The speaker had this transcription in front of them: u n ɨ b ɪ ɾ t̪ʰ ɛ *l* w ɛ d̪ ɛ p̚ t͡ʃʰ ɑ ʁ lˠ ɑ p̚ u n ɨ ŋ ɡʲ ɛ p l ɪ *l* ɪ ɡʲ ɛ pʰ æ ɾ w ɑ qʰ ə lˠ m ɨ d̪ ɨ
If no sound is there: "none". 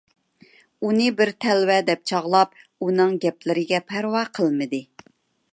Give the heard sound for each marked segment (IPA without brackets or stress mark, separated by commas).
l, ɾ